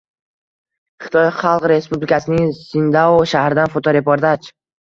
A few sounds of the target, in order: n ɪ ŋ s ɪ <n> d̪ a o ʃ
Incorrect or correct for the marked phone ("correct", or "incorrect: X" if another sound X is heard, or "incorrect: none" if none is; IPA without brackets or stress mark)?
correct